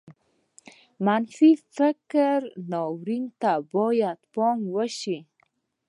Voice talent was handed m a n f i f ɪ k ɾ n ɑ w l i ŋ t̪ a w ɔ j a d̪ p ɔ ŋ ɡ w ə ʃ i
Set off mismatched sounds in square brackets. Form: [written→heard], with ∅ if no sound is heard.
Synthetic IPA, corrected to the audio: m a n f i f ɪ k ɾ n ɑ w [l→ɾ] i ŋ t̪ a [w→b] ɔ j a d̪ p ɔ ŋ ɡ w ə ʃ i